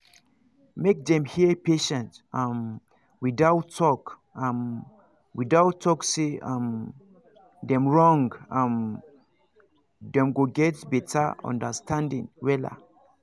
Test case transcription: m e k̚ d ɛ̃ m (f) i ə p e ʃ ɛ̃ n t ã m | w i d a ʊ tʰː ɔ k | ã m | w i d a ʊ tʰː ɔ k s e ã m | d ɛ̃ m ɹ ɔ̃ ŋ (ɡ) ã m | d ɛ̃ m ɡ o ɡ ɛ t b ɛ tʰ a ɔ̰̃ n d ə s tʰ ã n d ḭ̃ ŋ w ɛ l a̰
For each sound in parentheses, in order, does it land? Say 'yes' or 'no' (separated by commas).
no, yes